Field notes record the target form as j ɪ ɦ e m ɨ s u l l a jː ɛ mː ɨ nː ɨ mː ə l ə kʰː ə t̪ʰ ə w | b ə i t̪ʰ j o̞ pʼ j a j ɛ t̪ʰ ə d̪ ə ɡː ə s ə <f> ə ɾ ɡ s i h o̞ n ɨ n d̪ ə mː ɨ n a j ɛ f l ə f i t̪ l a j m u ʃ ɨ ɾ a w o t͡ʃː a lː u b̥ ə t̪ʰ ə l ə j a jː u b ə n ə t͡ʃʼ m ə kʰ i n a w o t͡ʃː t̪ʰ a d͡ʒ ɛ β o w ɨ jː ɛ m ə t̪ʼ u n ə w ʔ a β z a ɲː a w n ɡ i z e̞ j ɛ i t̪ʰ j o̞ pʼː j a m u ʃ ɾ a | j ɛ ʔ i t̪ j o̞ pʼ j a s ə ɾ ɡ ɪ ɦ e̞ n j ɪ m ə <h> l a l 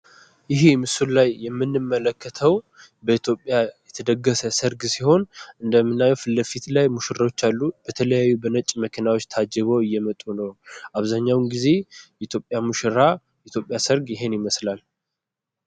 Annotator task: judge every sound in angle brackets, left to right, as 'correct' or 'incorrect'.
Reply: incorrect, incorrect

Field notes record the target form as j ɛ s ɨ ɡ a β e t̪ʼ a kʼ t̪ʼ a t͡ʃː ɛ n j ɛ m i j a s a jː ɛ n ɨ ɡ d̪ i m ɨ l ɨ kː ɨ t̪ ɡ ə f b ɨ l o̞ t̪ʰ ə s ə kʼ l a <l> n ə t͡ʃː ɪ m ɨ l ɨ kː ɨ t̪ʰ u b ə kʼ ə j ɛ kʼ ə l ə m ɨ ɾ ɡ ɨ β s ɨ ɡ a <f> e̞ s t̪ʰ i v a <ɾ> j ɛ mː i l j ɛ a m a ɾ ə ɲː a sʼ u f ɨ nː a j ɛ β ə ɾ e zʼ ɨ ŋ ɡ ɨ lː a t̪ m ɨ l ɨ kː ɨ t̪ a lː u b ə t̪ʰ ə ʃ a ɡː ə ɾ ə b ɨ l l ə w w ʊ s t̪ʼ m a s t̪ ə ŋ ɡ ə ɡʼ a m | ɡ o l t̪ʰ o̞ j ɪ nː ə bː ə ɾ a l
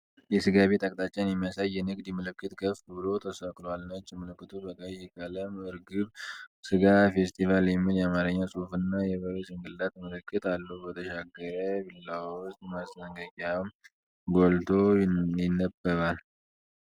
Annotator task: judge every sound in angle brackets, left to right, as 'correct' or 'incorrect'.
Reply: correct, correct, incorrect

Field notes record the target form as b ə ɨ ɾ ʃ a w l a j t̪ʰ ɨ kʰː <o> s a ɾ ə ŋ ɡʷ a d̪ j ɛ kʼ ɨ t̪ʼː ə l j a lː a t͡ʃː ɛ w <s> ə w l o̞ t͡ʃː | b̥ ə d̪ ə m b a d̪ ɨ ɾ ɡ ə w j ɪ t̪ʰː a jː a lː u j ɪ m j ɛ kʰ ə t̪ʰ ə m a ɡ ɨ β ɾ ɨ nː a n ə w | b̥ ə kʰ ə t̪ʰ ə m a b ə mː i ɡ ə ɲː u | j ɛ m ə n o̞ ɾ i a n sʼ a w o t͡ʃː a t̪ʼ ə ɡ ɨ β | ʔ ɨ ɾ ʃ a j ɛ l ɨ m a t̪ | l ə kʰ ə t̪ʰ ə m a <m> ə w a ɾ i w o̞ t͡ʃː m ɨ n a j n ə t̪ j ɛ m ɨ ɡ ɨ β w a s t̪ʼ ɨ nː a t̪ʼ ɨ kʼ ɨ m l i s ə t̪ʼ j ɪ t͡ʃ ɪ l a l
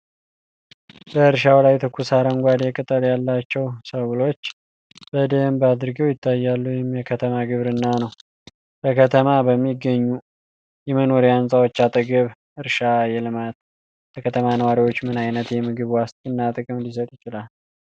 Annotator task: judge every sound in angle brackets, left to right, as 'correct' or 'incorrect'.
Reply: incorrect, correct, incorrect

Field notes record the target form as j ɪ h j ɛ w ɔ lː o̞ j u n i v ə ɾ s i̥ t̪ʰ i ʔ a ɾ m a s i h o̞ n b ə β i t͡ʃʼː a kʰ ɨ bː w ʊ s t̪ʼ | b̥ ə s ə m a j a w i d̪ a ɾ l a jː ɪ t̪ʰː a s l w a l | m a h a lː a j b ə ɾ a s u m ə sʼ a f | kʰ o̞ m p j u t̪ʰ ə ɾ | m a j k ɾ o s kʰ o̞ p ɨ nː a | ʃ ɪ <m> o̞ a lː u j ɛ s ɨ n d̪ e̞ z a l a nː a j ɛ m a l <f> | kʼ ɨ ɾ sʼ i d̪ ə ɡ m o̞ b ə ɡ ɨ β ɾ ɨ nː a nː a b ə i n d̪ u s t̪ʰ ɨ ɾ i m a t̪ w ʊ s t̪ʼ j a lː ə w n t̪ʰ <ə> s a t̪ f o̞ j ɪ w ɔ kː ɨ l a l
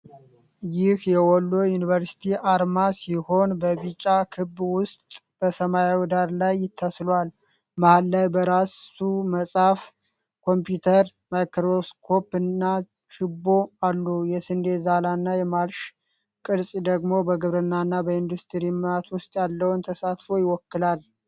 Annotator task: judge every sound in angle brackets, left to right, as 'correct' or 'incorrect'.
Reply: incorrect, incorrect, correct

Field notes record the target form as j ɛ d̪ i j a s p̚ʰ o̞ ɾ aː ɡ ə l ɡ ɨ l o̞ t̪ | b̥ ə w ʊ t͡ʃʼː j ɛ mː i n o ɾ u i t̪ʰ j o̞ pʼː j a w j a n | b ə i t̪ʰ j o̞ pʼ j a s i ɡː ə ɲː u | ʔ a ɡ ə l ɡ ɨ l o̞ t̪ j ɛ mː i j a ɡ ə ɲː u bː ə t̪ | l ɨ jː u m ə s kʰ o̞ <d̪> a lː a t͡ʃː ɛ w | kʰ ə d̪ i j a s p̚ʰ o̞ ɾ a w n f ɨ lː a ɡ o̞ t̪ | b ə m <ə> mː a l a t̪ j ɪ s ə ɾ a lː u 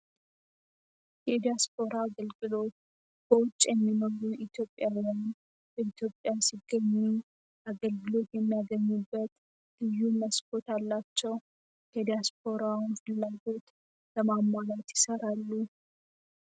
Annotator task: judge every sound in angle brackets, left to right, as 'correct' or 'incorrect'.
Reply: incorrect, incorrect

